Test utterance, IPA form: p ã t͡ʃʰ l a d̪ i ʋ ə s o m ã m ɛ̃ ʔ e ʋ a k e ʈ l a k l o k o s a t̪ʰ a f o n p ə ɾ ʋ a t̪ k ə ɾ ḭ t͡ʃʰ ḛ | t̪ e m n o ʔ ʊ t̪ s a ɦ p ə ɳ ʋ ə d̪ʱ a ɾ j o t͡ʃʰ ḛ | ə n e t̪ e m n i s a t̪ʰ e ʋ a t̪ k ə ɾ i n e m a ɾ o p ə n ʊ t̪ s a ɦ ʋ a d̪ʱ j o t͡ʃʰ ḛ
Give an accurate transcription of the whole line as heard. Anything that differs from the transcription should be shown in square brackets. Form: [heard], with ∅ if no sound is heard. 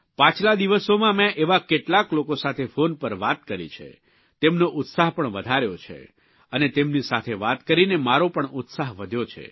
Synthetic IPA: p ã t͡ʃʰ l a d̪ i ʋ ə s o m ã m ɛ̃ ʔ e ʋ a k e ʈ l a k l o k o s a t̪ʰ [e] f o n p ə ɾ ʋ a t̪ k ə ɾ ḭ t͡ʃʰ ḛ | t̪ e m n o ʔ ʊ t̪ s a ɦ p ə ɳ ʋ ə d̪ʱ a ɾ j o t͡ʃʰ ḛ | ə n e t̪ e m n i s a t̪ʰ e ʋ a t̪ k ə ɾ i n e m a ɾ o p ə [ɳ] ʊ t̪ s a ɦ ʋ [ə] d̪ʱ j o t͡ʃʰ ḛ

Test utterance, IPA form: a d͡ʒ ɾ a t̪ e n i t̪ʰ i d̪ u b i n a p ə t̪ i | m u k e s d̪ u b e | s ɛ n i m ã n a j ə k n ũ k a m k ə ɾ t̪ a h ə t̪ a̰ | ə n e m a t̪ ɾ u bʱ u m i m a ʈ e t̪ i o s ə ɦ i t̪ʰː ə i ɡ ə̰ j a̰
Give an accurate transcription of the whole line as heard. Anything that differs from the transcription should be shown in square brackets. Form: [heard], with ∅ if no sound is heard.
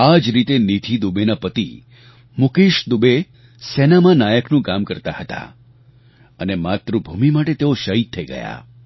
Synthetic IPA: a d͡ʒ ɾ [i] t̪ e n i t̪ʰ i d̪ u b [e] n a p ə t̪ i | m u k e [ʃ] d̪ u b e | s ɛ n [a] m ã n a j ə k n ũ k a m k ə ɾ t̪ a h ə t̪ a̰ | ə n e m a t̪ ɾ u bʱ u m i m a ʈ e t̪ [e] o [ʃ] ə ɦ i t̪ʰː ə i ɡ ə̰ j a̰

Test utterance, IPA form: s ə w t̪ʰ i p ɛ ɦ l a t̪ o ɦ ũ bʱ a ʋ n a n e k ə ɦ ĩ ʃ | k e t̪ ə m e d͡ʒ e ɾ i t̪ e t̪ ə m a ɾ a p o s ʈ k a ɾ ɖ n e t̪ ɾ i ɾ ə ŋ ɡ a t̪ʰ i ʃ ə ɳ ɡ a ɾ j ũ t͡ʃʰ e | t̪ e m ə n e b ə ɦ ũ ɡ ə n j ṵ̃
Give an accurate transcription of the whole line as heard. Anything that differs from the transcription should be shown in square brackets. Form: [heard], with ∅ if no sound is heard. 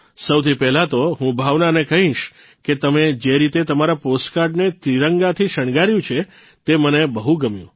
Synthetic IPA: s ə w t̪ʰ i p ɛ ɦ l a t̪ o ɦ ũ bʱ a ʋ n a n e k ə ɦ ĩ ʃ | k e t̪ ə m e d͡ʒ e ɾ i t̪ e t̪ ə m a ɾ a p o s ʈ k a ɾ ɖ n e t̪ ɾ i ɾ ə ŋ ɡ a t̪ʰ i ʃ ə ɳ ɡ a ɾ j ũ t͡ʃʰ e | t̪ e m ə n e b ə ɦ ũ ɡ ə [m] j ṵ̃

